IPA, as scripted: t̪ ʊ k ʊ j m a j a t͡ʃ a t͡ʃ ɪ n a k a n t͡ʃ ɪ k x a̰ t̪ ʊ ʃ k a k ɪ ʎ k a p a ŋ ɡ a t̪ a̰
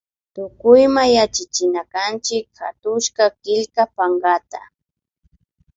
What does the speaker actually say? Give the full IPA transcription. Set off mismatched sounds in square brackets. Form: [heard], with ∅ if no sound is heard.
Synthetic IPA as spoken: t̪ ʊ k ʊ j m a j a t͡ʃ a t͡ʃ ɪ n a k a n t͡ʃ ɪ k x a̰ t̪ ʊ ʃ k a k ɪ ʎ k a p a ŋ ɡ a t̪ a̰